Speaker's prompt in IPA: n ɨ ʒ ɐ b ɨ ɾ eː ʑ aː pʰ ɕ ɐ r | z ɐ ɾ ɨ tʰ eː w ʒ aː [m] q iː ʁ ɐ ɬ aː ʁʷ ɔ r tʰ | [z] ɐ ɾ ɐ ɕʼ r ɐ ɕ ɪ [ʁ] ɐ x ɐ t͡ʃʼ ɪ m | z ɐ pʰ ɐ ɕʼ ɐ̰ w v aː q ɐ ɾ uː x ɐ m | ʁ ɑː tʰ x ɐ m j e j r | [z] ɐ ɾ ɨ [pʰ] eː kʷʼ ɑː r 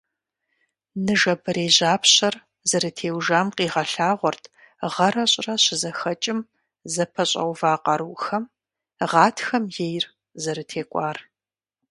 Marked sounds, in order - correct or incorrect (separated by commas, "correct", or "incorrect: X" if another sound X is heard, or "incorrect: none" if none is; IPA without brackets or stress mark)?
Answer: correct, incorrect: ʁ, incorrect: z, correct, incorrect: tʰ